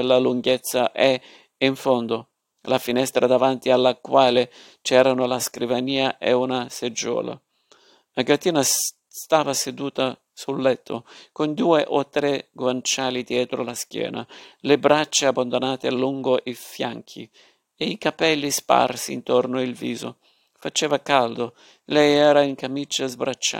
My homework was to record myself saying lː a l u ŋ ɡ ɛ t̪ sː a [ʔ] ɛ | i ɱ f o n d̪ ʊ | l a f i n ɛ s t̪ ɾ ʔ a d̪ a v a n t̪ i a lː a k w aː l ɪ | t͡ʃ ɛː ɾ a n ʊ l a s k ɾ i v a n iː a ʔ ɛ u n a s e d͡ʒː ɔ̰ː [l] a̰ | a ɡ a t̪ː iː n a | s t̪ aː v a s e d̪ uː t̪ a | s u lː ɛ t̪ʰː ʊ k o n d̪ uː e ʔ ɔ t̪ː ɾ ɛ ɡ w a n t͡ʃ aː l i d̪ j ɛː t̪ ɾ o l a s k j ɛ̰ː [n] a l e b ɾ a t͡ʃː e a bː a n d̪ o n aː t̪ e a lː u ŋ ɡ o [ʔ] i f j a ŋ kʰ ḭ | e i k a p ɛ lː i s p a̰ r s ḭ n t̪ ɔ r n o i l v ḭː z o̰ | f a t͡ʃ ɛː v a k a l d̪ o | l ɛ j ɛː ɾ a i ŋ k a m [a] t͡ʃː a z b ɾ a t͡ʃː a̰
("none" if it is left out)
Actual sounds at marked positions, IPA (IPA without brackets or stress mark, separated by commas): ʔ, l, n, ʔ, i